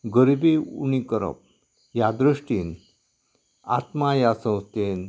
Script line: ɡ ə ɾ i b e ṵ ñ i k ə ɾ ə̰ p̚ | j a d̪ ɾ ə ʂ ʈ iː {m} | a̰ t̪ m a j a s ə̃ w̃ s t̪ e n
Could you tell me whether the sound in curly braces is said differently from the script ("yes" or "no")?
yes